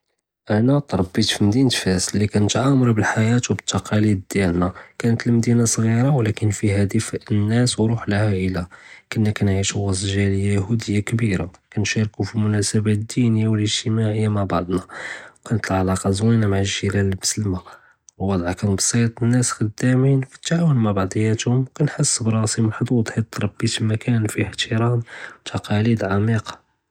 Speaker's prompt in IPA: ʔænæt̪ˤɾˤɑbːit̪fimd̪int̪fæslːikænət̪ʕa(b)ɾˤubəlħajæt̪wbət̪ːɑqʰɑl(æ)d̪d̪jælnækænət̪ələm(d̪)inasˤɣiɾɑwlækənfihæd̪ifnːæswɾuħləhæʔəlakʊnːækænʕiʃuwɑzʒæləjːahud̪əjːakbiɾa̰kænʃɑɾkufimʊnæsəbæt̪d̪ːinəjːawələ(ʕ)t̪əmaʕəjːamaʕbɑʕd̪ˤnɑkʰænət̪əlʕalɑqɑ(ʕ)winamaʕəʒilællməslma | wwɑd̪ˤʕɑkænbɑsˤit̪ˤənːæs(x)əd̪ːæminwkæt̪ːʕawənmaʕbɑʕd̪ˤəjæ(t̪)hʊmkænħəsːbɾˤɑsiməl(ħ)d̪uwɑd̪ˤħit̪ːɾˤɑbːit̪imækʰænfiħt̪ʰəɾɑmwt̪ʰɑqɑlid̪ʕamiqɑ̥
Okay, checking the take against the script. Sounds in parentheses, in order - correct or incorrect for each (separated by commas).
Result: incorrect, incorrect, correct, incorrect, incorrect, correct, correct, correct